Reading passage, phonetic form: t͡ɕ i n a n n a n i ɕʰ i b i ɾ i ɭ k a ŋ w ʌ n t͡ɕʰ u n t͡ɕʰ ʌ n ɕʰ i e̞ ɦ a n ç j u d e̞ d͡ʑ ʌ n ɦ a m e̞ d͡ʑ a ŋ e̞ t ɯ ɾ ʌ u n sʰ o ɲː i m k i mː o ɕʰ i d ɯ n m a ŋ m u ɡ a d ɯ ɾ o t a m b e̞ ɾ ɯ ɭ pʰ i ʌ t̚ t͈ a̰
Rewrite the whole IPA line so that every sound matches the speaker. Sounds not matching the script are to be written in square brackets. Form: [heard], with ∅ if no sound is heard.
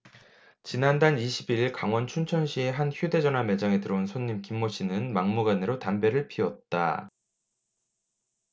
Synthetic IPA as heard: t͡ɕ i n a n [d] a n i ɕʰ i b i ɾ i ɭ k a ŋ w ʌ n t͡ɕʰ u n t͡ɕʰ ʌ n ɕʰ i e̞ ɦ a n ç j u d e̞ d͡ʑ ʌ n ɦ a m e̞ d͡ʑ a ŋ e̞ t ɯ ɾ ʌ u n sʰ o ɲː i m k i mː o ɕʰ i [n] ɯ n m a ŋ m u ɡ a [n] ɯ ɾ o t a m b e̞ ɾ ɯ ɭ pʰ i ʌ t̚ t͈ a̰